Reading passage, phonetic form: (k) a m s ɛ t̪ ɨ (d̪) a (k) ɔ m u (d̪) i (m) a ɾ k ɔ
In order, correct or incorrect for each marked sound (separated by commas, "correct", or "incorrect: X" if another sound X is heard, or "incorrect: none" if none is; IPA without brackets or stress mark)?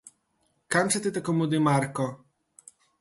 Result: correct, incorrect: t̪, correct, correct, correct